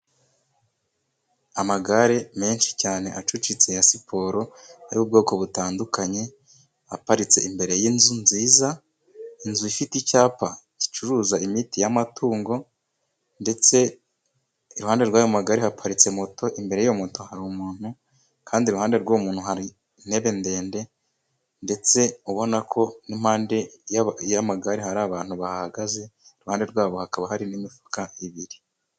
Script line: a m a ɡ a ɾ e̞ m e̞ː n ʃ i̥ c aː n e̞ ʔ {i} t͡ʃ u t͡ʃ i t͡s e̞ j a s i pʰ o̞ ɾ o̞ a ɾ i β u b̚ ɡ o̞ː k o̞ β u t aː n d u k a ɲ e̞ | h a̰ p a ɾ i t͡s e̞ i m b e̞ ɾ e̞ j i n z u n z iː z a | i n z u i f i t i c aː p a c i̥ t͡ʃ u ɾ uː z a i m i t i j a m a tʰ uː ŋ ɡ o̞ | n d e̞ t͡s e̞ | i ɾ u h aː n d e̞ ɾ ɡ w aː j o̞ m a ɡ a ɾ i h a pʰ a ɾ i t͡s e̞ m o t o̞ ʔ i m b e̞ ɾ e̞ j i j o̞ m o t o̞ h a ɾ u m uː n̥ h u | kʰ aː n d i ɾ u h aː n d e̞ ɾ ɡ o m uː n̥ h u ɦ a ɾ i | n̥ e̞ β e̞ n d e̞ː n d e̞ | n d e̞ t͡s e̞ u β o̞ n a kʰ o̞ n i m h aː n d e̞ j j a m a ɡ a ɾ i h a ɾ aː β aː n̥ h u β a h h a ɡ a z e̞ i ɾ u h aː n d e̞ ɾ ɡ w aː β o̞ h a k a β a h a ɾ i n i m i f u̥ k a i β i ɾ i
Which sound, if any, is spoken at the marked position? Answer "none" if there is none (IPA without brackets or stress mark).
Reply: a